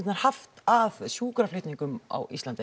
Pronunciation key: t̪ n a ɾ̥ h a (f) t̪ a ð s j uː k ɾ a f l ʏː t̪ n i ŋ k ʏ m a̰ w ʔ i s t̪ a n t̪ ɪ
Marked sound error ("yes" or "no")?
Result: no